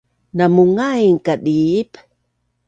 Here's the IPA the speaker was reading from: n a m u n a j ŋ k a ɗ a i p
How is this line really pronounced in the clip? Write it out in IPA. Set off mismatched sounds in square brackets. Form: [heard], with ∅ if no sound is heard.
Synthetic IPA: n a m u [ŋ] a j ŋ k a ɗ [i] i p